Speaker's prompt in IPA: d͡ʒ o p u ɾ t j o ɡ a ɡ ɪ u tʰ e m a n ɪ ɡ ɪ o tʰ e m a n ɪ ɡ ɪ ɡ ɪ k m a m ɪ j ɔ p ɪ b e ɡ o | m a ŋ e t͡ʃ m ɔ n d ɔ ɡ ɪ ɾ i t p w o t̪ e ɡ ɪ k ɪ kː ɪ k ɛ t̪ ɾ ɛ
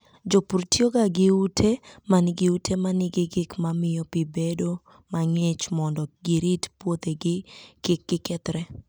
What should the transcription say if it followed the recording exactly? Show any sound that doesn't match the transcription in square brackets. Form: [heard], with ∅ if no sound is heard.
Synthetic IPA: d͡ʒ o p u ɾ t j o ɡ a ɡ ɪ u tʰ e m a n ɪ ɡ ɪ [u] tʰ e m a n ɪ ɡ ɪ ɡ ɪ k m a m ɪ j ɔ p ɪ b e [d] o | m a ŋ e t͡ʃ m ɔ n d ɔ ɡ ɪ ɾ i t p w o t̪ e ɡ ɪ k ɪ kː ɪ k ɛ t̪ ɾ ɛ

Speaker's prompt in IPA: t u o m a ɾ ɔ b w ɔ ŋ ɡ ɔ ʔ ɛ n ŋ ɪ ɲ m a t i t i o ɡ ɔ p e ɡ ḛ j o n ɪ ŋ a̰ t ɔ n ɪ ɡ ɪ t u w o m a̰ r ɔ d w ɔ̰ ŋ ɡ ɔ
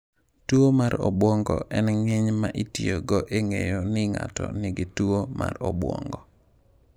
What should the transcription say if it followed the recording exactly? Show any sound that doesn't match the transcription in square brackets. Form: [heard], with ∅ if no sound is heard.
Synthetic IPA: t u o m a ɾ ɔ b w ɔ ŋ ɡ ɔ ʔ ɛ n ŋ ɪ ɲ m a [ʔ] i t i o ɡ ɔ [ʔ] e [ŋ] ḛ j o n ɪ ŋ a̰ t ɔ n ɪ ɡ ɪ t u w o m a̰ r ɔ [b] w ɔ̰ ŋ ɡ ɔ

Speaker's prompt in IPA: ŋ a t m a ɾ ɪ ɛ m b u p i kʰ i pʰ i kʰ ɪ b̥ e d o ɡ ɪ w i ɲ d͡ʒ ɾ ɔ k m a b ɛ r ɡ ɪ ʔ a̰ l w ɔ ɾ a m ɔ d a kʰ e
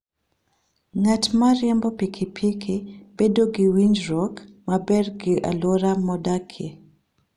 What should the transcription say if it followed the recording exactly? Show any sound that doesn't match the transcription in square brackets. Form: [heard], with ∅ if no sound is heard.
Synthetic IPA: ŋ a t m a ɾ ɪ ɛ m b [ɔ] p i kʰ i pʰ i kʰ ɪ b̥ e d o ɡ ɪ w i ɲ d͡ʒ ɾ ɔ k m a b ɛ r ɡ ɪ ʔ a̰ l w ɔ ɾ a m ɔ d a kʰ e

